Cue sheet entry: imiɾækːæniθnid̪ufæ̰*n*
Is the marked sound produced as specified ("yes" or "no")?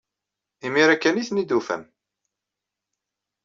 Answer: no